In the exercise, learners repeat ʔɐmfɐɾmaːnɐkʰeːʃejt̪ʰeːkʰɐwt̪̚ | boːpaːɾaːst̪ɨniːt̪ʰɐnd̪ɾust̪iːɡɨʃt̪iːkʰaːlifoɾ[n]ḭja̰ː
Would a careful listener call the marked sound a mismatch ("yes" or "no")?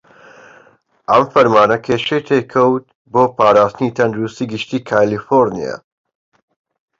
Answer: no